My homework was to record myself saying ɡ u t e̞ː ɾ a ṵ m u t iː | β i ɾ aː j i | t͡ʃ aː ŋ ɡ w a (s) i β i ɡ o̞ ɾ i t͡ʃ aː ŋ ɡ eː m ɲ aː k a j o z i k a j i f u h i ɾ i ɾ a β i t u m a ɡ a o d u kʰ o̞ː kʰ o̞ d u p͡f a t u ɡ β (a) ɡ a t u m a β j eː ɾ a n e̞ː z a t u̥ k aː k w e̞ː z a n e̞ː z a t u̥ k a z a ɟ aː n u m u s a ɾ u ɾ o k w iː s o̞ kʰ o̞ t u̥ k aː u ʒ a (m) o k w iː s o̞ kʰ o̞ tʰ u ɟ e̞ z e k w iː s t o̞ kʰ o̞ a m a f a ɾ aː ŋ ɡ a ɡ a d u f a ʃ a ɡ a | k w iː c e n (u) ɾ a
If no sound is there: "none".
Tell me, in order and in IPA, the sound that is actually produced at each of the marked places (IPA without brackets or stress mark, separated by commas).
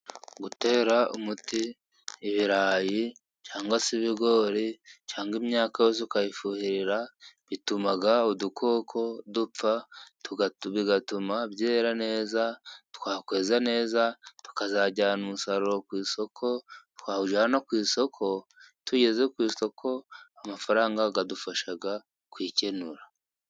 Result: s, i, n, u